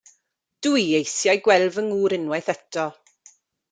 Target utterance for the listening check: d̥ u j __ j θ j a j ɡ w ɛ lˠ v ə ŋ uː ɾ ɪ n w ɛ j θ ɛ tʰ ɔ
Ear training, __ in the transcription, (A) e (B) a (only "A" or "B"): A